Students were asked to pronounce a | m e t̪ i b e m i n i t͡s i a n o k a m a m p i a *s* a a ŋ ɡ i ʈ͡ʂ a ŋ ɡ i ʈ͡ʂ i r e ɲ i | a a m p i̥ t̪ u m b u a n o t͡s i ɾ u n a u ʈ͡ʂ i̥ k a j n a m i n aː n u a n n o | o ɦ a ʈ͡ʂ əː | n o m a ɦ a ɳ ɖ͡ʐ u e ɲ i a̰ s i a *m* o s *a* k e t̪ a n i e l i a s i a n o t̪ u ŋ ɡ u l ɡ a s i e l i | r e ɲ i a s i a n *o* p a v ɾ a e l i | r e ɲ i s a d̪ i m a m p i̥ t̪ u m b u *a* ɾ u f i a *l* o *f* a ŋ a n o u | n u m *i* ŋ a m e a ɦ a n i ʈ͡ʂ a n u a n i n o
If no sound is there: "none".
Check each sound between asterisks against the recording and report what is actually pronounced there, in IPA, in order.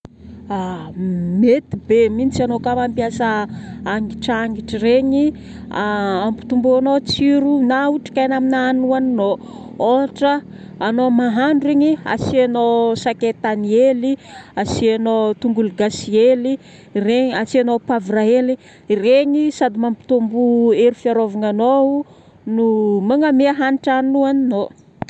s, n, a, o, e, ɾ, v, a

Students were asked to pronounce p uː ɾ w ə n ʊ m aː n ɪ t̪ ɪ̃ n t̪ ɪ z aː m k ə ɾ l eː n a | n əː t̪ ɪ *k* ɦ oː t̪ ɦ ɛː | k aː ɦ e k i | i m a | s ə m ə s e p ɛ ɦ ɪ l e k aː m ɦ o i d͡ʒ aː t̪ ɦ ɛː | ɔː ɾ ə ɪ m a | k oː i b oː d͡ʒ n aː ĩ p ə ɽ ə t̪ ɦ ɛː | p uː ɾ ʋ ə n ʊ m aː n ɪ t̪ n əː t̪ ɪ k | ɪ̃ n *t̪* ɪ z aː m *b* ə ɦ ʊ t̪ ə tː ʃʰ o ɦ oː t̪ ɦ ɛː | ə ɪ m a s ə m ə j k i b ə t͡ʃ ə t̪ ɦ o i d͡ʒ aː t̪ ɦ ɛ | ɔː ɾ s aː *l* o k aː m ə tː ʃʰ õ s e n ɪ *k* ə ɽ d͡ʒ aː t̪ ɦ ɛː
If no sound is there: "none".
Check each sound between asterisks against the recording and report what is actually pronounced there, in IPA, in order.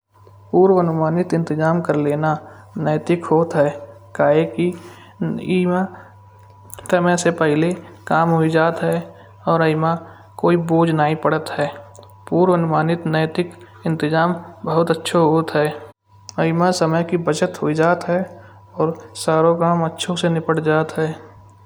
k, t̪, b, ɾ, p

